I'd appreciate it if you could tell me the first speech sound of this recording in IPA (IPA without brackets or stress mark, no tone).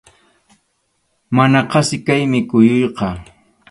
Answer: m